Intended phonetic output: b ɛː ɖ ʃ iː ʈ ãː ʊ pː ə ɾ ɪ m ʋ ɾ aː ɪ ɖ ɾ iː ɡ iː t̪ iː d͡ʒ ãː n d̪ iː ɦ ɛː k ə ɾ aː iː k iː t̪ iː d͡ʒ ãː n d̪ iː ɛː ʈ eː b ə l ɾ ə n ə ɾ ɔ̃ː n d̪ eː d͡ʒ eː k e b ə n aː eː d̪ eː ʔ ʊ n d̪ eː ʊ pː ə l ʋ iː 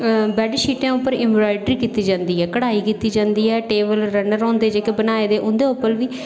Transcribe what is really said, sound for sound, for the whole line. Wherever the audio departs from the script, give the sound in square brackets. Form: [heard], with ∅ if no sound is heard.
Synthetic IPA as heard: b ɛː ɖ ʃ iː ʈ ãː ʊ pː ə ɾ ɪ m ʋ ɾ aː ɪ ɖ ɾ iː [k] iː t̪ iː d͡ʒ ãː n d̪ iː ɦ ɛː k ə [ɽ] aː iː k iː t̪ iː d͡ʒ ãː n d̪ iː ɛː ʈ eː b ə l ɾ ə n ə ɾ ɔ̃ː n d̪ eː d͡ʒ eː k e b ə n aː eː d̪ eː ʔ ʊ n d̪ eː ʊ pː ə l ʋ iː